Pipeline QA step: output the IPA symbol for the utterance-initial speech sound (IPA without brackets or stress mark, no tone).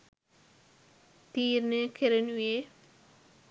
t̪